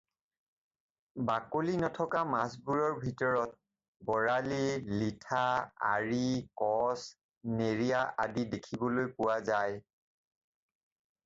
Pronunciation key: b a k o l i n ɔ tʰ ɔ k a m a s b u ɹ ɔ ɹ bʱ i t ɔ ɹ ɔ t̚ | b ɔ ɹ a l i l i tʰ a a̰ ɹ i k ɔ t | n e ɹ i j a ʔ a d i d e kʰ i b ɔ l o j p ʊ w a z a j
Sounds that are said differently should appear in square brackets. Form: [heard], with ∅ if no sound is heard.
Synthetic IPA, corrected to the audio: b a k o l i n ɔ tʰ ɔ k a m a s b u ɹ ɔ ɹ bʱ i t ɔ ɹ ɔ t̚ | b ɔ ɹ a l i l i tʰ a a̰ ɹ i k ɔ [s] | n e ɹ i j a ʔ a d i d e kʰ i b ɔ l o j p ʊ w a z a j